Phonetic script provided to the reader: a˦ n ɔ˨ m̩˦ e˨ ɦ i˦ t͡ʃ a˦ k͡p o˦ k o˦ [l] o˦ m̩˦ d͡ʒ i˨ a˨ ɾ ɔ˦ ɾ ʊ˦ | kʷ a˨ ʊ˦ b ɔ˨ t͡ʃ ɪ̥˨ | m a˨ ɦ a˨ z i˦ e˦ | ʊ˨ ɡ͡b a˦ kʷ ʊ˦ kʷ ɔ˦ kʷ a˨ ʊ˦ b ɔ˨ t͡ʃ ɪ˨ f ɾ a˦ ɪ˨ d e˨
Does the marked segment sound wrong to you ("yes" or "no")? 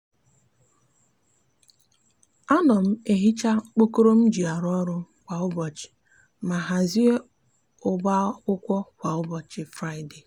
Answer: yes